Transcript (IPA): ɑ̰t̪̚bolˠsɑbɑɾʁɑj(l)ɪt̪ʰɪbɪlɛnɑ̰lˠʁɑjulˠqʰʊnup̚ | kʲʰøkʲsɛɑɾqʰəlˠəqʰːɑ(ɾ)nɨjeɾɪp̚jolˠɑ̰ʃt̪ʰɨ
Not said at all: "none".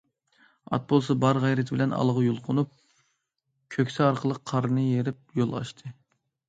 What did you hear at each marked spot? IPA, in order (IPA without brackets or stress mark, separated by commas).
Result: ɾ, ɾ